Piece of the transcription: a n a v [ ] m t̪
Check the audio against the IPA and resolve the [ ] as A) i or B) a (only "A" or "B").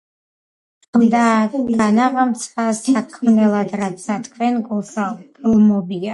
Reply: B